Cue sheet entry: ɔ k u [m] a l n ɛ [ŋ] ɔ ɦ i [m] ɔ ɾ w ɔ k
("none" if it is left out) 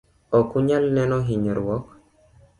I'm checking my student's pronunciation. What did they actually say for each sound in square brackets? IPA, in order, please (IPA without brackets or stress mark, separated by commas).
ɲ, n, ɲ